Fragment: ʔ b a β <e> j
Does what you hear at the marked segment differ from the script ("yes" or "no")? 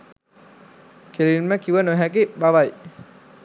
yes